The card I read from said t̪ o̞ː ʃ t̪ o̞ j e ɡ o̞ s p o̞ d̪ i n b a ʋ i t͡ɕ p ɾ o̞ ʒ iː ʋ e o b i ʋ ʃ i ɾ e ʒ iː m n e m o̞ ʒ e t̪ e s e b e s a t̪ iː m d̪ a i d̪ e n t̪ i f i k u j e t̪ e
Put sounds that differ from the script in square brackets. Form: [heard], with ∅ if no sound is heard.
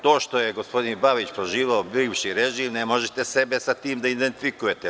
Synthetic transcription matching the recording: t̪ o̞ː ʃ t̪ o̞ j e ɡ o̞ s p o̞ d̪ i n b a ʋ i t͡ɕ p ɾ o̞ ʒ iː ʋ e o b i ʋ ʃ i ɾ e ʒ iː m n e m o̞ ʒ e t̪ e s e b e s a t̪ iː m d̪ a i d̪ e n t̪ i f i k u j e t̪ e